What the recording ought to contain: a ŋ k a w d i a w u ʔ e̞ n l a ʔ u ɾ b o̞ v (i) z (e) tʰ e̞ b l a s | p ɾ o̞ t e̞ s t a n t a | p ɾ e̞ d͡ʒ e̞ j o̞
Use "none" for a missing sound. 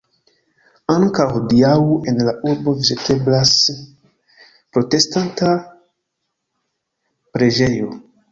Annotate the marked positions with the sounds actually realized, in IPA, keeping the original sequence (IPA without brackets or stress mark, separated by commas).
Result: i, e